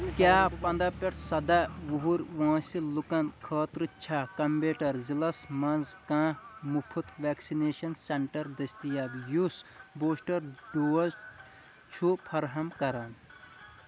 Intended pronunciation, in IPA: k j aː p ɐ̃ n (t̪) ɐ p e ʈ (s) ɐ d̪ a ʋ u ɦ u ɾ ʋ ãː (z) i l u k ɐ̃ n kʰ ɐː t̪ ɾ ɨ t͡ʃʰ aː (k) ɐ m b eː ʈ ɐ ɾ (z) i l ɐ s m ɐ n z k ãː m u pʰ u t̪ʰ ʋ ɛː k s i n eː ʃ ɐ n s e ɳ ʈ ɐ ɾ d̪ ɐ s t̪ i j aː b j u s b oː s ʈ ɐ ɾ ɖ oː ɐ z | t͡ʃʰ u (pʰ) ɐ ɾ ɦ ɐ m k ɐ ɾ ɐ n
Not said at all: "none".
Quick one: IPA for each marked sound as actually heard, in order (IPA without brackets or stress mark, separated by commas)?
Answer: d̪, s, s, k, z, pʰ